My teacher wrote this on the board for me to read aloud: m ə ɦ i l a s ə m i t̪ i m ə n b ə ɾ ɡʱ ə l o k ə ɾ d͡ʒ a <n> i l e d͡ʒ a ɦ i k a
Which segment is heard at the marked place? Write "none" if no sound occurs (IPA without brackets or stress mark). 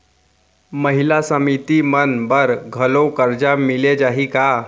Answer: m